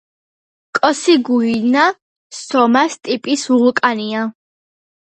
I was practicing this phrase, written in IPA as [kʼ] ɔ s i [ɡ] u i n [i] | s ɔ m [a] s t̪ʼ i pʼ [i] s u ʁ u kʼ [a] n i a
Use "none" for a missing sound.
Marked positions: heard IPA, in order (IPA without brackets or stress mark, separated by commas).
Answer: kʼ, ɡ, a, a, i, a